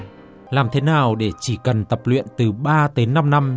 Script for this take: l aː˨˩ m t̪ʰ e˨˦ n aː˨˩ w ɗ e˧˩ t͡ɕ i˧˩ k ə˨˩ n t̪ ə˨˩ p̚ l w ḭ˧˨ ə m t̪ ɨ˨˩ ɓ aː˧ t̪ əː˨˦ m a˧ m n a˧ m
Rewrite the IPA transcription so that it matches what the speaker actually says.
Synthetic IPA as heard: l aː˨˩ m t̪ʰ e˨˦ n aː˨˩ w ɗ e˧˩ t͡ɕ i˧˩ k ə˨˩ n t̪ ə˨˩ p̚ l w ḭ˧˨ ə n t̪ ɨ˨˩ ɓ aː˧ t̪ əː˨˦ n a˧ m n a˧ m